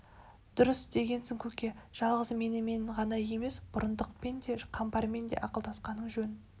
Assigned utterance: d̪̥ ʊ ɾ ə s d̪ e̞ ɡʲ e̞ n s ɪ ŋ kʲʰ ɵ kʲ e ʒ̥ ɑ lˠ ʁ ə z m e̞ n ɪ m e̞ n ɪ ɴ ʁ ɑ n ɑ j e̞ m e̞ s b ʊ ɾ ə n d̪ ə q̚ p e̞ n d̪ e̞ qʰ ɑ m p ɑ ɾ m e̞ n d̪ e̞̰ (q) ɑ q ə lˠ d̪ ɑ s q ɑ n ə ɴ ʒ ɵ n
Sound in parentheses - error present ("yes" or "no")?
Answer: yes